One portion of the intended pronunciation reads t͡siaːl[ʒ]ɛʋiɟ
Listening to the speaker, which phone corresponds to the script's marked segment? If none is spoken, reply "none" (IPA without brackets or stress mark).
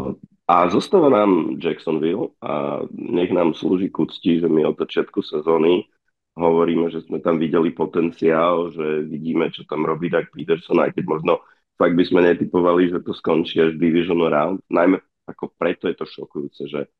ʒ